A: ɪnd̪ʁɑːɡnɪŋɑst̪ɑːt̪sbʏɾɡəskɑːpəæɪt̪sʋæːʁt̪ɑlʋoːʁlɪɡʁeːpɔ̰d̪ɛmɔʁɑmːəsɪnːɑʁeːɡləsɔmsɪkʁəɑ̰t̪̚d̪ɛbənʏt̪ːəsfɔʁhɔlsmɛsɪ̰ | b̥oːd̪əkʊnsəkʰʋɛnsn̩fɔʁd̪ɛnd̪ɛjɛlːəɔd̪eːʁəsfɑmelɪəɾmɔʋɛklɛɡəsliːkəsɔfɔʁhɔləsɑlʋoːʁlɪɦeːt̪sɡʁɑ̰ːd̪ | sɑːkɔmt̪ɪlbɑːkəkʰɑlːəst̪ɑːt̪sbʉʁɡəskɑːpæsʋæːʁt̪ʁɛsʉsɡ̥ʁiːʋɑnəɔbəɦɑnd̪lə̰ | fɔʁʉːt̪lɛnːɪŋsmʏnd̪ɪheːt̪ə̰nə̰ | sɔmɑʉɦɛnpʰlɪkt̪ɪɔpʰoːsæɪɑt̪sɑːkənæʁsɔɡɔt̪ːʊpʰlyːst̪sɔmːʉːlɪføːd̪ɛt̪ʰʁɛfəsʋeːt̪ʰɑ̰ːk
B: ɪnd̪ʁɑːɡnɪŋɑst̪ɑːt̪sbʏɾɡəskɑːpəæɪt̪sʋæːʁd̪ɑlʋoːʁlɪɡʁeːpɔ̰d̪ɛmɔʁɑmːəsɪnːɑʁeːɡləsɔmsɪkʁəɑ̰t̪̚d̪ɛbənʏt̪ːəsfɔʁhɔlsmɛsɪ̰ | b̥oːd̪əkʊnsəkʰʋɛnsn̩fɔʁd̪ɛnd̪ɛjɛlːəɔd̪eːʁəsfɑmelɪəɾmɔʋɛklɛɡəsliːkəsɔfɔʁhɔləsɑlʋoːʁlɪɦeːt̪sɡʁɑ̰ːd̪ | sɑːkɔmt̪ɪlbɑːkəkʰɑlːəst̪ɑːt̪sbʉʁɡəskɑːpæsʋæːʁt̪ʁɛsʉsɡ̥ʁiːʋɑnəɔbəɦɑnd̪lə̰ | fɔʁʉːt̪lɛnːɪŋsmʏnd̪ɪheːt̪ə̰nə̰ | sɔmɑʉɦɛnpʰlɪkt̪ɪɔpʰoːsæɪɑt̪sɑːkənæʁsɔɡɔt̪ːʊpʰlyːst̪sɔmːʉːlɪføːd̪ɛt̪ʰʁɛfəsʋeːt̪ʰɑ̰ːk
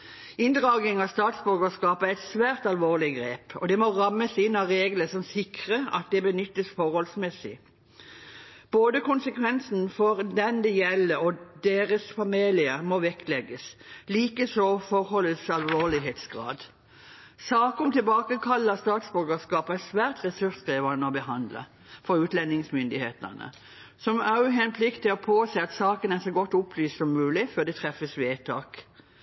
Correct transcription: A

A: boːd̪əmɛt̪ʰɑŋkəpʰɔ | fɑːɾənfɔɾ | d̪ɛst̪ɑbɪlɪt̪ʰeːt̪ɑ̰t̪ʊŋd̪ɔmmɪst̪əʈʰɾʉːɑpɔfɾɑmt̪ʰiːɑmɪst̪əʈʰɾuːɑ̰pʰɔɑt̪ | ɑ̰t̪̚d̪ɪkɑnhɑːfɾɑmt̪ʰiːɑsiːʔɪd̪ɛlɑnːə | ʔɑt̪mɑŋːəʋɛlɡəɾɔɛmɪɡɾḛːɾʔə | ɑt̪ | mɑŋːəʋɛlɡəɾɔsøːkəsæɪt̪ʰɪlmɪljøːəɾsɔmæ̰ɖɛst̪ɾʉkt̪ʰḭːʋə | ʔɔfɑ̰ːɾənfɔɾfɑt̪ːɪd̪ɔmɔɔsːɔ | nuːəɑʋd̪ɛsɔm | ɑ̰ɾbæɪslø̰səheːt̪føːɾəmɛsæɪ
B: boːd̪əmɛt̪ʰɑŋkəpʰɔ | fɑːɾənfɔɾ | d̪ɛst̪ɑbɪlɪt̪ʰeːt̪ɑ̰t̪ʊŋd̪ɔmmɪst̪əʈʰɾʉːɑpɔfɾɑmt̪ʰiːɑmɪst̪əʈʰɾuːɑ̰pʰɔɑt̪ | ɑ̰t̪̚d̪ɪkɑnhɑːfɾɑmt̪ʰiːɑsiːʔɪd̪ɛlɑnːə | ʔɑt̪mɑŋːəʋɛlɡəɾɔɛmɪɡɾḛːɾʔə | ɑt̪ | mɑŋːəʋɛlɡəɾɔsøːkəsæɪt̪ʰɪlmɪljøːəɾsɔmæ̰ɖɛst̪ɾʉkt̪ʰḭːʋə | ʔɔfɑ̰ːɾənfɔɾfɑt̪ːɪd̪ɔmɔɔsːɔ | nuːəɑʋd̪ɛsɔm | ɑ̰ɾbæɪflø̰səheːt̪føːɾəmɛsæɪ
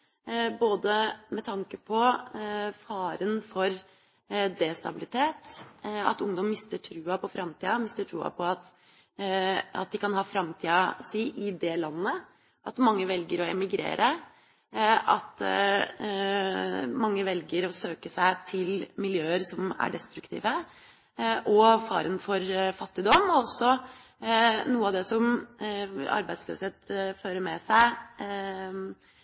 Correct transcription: A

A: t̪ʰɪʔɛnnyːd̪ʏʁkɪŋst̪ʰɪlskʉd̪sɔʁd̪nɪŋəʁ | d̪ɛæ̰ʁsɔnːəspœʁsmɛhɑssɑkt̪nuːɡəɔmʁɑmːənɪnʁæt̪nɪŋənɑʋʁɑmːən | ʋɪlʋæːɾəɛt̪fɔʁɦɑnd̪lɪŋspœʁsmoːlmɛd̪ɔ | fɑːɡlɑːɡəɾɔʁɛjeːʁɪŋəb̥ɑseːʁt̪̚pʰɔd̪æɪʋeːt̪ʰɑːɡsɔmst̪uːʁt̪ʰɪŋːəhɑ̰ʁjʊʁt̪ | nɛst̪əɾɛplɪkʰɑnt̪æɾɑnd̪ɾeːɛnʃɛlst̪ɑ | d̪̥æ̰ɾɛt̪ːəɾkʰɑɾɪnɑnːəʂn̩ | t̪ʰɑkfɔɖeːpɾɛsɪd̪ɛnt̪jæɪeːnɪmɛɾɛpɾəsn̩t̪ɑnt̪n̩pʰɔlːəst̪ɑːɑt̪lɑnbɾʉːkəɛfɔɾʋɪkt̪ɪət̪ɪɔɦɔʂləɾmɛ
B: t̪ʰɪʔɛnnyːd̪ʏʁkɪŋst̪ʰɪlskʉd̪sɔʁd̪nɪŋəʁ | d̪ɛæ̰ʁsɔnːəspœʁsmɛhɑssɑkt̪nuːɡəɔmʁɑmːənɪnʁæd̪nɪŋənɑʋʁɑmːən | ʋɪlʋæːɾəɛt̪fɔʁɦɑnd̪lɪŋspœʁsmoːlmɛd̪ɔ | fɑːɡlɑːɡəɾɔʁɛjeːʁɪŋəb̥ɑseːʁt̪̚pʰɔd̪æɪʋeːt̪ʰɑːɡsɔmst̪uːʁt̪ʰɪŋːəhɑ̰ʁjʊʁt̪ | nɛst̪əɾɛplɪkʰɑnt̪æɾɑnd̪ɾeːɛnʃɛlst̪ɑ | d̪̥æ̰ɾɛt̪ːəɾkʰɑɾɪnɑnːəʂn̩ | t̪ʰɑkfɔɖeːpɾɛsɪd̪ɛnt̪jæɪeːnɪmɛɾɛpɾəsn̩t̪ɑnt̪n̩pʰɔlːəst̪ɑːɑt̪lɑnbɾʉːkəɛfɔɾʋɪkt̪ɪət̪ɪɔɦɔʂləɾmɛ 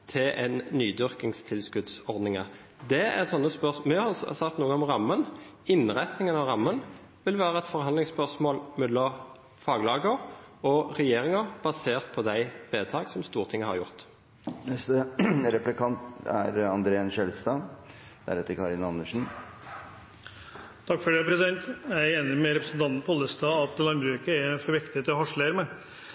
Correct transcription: A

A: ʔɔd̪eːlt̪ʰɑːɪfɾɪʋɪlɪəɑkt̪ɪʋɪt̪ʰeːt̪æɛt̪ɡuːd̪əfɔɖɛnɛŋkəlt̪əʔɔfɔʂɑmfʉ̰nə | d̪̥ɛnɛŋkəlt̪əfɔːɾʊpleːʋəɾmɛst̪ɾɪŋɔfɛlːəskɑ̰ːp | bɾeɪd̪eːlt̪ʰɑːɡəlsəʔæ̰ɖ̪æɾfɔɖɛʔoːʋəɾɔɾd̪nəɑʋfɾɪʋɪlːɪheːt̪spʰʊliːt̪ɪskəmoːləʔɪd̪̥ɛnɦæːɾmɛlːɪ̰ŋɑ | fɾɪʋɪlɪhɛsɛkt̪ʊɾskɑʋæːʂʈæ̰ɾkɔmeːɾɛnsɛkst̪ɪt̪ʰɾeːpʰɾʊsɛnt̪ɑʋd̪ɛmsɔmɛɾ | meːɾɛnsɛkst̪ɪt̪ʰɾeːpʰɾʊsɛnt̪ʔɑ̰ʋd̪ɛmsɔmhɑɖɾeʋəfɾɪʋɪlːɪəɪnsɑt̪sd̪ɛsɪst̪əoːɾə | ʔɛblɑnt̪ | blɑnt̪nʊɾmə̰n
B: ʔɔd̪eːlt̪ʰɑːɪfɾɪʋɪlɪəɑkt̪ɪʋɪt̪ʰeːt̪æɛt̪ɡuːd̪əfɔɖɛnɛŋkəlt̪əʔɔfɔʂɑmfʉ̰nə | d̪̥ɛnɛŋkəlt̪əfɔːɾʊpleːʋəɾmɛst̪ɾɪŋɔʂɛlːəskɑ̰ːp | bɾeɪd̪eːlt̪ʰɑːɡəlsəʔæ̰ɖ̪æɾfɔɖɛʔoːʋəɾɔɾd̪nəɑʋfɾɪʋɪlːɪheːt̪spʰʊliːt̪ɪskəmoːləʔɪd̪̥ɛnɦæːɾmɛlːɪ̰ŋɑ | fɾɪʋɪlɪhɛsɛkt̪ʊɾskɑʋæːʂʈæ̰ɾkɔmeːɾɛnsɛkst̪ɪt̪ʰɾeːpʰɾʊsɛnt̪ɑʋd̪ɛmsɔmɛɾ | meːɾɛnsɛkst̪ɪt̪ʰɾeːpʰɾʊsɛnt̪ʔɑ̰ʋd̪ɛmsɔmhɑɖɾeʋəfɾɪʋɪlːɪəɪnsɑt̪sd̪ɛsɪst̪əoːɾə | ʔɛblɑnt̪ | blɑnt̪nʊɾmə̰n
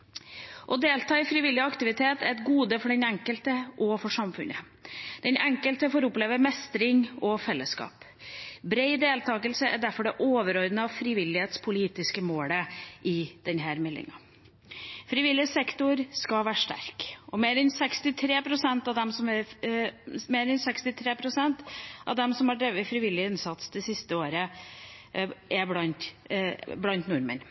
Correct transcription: A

